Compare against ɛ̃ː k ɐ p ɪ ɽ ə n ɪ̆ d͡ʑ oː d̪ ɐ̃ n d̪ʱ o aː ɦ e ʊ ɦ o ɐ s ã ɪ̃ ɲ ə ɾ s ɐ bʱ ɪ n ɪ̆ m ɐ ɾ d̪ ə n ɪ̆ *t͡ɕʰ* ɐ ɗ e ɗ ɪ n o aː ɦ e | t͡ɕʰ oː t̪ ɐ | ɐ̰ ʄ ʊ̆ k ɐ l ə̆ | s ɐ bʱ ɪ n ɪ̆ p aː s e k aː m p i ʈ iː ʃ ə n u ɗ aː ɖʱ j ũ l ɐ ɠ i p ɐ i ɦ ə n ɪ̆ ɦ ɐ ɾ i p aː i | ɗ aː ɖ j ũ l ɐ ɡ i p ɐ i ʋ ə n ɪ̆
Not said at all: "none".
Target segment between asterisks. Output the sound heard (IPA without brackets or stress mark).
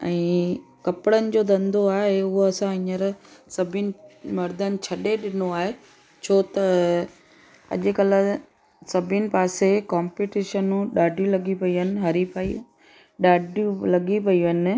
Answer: t͡ɕʰ